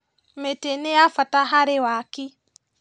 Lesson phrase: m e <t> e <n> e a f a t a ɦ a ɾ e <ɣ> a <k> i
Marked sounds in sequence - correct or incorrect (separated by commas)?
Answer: correct, correct, incorrect, correct